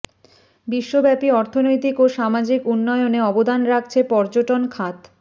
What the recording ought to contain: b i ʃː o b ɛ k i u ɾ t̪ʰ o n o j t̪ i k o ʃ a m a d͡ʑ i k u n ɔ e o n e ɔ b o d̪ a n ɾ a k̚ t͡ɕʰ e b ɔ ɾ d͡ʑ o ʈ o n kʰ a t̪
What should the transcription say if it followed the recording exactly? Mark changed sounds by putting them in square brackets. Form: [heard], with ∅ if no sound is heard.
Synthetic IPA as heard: b i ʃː o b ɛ [p] i [ɔ] ɾ t̪ʰ o n o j t̪ i k o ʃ a m a d͡ʑ i k u [nː] ɔ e o n e ɔ b o d̪ a n ɾ a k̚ t͡ɕʰ e [p] ɔ ɾ d͡ʑ o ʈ o n kʰ a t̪